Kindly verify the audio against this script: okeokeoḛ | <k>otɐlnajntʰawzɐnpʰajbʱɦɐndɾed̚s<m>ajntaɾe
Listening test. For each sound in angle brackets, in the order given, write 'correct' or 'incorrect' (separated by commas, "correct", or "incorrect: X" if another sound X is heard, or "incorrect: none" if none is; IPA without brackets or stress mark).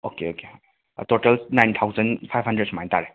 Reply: incorrect: t, correct